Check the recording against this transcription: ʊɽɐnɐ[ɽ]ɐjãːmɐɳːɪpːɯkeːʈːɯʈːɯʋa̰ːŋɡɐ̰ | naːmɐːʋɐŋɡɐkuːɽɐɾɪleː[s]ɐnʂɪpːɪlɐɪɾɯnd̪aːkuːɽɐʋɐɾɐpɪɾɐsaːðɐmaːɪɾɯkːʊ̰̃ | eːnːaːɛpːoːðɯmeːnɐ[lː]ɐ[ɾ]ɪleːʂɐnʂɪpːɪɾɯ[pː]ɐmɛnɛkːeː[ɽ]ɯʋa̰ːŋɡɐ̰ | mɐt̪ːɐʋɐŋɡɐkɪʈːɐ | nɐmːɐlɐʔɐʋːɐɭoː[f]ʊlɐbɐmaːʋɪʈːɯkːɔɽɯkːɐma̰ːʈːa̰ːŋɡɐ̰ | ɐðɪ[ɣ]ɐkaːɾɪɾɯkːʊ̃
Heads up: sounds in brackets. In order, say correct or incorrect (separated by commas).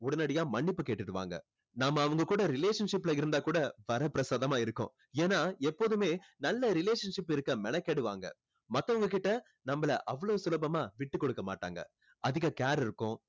correct, incorrect, correct, correct, incorrect, correct, incorrect, correct